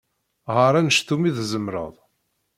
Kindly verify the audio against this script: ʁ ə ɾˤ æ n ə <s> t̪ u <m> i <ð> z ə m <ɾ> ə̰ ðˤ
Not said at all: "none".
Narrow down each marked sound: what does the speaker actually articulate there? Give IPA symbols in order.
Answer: ʃ, m, ð, ɾ

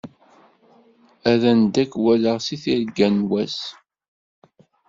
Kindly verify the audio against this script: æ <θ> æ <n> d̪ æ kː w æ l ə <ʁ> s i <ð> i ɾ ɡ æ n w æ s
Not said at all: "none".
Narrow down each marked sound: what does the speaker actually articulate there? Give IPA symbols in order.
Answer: ð, n, ʁ, θ

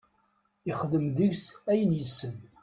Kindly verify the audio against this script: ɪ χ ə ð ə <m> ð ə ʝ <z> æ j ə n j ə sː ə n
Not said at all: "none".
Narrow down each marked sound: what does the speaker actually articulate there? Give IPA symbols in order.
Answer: m, s

